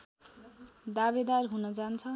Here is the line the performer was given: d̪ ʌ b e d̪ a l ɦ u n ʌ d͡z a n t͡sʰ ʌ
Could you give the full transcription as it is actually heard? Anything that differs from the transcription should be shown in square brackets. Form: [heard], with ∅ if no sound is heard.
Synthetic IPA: d̪ [a] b e d̪ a [r] ɦ u n ʌ d͡z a n t͡sʰ ʌ